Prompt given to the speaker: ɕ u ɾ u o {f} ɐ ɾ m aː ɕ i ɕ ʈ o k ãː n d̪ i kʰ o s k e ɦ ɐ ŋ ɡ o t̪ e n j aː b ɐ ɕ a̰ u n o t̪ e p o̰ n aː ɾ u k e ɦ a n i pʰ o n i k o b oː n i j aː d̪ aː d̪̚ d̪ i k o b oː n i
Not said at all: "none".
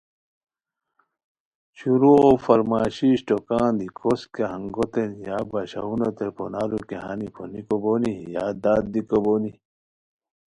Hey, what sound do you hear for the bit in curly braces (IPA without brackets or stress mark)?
f